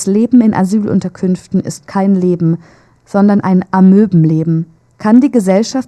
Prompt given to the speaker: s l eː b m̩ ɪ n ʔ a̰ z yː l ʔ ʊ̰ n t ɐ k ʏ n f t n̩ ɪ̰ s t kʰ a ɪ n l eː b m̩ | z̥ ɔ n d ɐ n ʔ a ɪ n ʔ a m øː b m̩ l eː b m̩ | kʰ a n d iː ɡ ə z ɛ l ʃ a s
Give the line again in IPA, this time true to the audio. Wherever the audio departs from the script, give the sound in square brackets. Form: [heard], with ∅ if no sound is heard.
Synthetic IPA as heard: s l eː b m̩ ɪ n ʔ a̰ z yː l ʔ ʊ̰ n t ɐ [kʰ] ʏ n f t n̩ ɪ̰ s t kʰ a ɪ n l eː b m̩ | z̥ ɔ n d ɐ n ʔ a ɪ n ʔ a m øː b m̩ l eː b m̩ | kʰ a n d iː ɡ ə z ɛ l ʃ a [f]